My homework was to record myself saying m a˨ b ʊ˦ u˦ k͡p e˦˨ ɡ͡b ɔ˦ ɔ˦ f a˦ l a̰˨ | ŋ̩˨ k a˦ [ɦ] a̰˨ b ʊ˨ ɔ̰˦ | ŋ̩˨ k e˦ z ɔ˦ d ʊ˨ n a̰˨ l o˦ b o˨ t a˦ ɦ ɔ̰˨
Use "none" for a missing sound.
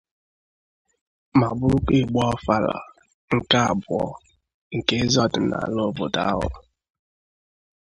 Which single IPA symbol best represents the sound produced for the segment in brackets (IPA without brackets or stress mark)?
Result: none